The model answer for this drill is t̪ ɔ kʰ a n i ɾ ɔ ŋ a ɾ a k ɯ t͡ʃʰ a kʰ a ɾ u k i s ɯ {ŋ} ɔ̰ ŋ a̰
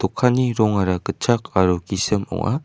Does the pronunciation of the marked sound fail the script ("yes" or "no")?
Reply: yes